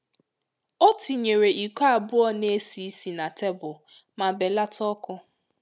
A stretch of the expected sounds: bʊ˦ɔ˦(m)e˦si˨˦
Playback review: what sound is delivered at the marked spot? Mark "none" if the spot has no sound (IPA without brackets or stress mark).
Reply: n